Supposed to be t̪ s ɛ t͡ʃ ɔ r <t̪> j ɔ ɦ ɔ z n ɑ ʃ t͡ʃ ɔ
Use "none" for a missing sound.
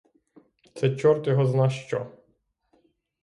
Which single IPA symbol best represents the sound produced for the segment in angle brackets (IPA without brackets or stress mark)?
t̪